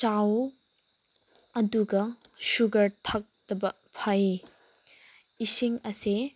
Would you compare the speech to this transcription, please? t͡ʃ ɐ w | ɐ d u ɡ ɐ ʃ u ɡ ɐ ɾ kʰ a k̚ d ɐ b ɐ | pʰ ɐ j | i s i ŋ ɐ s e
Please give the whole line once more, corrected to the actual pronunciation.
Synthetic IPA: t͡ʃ a w | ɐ d u ɡ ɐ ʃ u ɡ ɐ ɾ tʰ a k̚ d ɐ b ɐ | pʰ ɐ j | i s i ŋ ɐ s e